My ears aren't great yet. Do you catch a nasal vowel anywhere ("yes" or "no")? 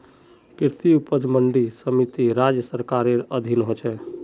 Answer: no